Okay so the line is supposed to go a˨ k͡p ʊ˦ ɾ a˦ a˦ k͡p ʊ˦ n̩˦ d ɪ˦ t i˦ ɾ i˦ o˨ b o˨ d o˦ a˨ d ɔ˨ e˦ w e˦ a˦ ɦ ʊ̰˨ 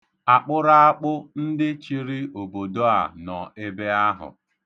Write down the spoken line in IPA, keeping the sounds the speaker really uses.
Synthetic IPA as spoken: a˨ k͡p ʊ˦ ɾ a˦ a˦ k͡p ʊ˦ n̩˦ d ɪ˦ t͡ʃ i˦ ɾ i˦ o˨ b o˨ d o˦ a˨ n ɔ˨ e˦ b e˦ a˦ ɦ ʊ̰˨